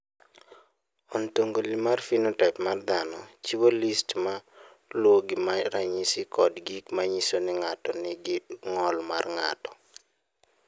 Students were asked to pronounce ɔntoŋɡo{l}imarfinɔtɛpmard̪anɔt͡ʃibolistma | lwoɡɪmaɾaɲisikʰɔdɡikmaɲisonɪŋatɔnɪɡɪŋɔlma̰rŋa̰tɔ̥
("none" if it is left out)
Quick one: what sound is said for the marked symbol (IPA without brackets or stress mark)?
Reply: l